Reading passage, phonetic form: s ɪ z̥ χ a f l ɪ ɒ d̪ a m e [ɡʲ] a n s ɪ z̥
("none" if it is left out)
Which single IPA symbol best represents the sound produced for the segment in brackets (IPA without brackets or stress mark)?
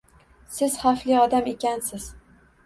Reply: kʲ